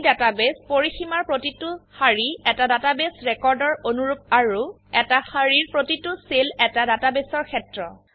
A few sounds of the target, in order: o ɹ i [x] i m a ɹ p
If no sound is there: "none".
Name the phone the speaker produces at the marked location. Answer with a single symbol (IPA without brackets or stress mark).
x